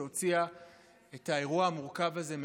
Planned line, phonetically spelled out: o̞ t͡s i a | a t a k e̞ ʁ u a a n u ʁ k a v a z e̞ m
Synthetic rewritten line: o̞ t͡s i a | e t a e̞ ʁ u a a m u ʁ k a v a z e̞ m